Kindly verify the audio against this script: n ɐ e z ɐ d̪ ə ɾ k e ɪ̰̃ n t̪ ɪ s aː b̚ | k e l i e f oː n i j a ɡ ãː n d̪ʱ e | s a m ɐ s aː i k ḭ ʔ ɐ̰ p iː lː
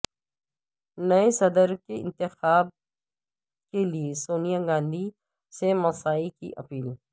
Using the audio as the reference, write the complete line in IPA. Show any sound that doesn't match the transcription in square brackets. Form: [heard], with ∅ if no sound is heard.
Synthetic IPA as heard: n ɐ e [s] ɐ d̪ ə ɾ k e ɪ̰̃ n t̪ ɪ [x] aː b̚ | k e l i e [s] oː n i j a ɡ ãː n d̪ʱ [i] | s [e] m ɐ s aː i k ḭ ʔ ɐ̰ p iː [l]

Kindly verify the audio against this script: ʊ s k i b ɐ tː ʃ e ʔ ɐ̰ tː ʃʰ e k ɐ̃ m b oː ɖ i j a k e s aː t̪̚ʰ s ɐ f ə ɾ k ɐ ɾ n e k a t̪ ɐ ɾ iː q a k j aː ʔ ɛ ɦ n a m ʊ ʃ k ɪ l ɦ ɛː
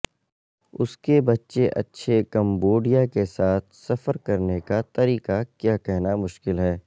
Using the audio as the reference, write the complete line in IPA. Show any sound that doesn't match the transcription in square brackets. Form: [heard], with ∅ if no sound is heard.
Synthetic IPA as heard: ʊ s k [e] b ɐ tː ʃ e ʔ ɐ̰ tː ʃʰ e k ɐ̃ m b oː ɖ i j a k e s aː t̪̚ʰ s ɐ f ə ɾ k ɐ ɾ n e k a t̪ ɐ ɾ iː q a k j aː [k] ɛ ɦ n a m ʊ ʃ k ɪ l ɦ ɛː

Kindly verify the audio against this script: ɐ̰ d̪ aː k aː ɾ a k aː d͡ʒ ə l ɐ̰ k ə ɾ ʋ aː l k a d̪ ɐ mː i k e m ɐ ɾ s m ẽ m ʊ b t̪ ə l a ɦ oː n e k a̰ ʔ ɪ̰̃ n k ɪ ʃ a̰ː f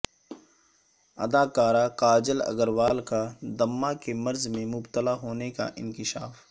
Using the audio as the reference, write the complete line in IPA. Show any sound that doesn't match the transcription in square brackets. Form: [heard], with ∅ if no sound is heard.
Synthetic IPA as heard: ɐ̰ d̪ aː k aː ɾ a k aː d͡ʒ ə l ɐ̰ [ɡ] ə ɾ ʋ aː l k a d̪ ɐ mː [a] k e m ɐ ɾ [z] m ẽ m ʊ b t̪ ə l a ɦ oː n e k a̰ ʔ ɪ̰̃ n k ɪ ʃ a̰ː f

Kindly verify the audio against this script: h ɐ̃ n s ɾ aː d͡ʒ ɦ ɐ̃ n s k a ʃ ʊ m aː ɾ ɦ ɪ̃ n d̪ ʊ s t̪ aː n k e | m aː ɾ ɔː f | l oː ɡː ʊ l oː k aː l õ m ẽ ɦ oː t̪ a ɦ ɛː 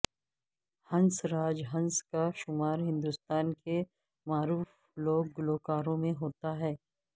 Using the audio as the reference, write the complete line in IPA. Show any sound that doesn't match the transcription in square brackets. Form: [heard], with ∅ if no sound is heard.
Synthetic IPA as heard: h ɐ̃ n s ɾ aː d͡ʒ ɦ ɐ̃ n s k a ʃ ʊ m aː ɾ ɦ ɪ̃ n d̪ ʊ s t̪ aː n k e | m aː ɾ [uː] f | l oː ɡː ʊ l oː k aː [ɾ] õ m ẽ ɦ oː t̪ a ɦ ɛː

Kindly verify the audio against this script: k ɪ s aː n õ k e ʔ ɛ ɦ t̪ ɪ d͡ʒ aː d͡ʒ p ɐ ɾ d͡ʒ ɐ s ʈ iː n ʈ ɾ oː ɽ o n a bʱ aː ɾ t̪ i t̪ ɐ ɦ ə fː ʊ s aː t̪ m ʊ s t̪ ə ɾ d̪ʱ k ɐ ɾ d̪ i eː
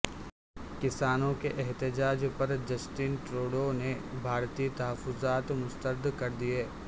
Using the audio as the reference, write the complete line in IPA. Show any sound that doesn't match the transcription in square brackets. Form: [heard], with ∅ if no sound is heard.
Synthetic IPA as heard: k ɪ s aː n õ k e ʔ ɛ ɦ t̪ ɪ d͡ʒ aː d͡ʒ p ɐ ɾ d͡ʒ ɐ s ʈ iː n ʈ ɾ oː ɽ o n [e] bʱ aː ɾ t̪ i t̪ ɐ ɦ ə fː ʊ [z] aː t̪ m ʊ s t̪ ə ɾ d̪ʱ k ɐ ɾ d̪ i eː

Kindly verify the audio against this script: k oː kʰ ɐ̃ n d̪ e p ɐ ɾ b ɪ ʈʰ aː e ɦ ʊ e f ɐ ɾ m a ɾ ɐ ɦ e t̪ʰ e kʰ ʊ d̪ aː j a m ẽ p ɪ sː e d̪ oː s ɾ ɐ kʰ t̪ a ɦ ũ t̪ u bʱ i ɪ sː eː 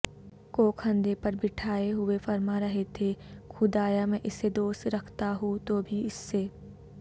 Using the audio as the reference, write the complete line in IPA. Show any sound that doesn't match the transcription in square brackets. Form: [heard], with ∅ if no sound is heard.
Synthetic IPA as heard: k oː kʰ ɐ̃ n d̪ e p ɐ ɾ b ɪ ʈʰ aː e ɦ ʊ e f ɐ ɾ m a ɾ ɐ ɦ e t̪ʰ e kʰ ʊ d̪ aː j a m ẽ [ʔ] ɪ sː e d̪ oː s ɾ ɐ kʰ t̪ a ɦ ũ t̪ [o] bʱ i ɪ sː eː

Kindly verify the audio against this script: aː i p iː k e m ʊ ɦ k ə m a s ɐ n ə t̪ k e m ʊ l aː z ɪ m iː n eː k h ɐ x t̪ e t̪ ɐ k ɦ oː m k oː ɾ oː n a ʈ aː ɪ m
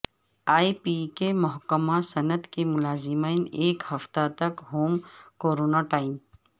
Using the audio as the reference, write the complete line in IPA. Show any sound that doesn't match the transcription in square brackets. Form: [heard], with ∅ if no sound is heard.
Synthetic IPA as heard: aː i p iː k e m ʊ ɦ k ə m a s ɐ n ə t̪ k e m ʊ l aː z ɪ m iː n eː k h ɐ [f] t̪ [a] t̪ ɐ k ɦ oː m k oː ɾ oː n a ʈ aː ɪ m

